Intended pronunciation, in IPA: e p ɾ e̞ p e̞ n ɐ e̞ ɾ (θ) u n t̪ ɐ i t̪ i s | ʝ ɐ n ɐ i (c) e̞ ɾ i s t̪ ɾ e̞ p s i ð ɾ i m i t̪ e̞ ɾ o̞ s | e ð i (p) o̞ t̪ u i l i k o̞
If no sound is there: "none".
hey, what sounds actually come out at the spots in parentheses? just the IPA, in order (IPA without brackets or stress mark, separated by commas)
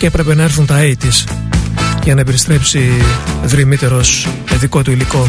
θ, p, k